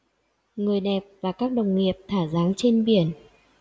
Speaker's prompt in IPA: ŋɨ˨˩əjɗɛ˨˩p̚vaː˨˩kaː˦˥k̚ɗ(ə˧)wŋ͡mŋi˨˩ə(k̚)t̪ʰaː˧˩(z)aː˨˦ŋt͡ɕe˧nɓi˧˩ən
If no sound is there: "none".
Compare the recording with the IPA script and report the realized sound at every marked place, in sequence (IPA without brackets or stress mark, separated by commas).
ə˨˩, p̚, z